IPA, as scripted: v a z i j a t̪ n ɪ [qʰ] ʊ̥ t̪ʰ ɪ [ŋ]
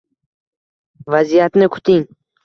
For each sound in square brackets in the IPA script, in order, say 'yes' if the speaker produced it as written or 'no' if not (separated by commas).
no, yes